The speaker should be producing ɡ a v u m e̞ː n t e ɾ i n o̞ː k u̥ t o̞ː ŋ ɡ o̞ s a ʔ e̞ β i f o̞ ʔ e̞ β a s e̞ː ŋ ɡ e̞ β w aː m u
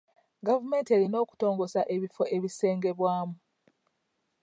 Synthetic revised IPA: ɡ a v u m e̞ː n t e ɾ i n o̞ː k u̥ t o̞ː ŋ ɡ o̞ s a ʔ e̞ β i f o̞ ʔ e̞ β i s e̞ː ŋ ɡ e̞ β w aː m u